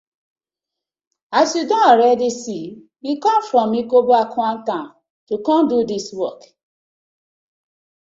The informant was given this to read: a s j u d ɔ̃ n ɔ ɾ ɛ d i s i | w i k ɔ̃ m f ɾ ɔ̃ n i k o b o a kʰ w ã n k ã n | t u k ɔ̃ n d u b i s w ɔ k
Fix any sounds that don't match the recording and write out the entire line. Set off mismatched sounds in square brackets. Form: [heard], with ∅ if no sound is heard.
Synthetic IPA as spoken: a s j u d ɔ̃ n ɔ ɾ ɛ d i s i | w i k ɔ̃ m f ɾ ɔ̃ [m] i k o b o a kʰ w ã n [t] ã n | t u k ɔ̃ n d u [d] i s w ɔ k